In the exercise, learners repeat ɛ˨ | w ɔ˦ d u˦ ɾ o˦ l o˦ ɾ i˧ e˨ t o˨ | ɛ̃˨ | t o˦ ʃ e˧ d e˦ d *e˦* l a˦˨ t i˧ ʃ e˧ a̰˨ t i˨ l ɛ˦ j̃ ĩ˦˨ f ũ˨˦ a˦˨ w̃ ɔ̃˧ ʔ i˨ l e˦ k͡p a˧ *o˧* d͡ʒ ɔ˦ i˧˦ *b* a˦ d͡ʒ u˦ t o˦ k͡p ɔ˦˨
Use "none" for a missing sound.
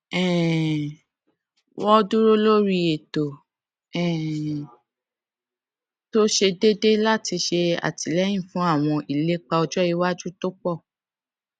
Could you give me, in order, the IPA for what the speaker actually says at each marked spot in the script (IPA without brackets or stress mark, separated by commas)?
e˦, ɔ˧, w